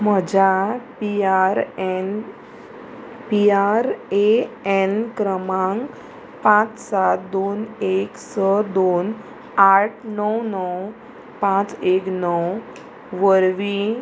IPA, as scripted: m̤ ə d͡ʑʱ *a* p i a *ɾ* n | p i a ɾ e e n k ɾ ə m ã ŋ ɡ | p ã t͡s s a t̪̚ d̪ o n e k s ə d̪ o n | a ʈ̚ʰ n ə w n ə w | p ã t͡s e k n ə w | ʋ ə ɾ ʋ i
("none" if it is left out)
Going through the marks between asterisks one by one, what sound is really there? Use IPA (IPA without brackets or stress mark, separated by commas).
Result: a, ɾ